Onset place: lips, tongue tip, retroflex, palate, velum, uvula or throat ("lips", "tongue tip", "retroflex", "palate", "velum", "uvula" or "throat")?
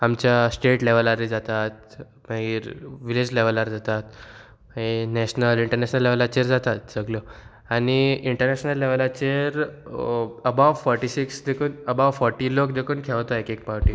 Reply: lips